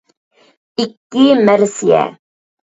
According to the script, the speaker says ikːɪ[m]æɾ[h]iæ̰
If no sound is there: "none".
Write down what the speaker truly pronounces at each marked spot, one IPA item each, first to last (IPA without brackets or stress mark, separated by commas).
m, s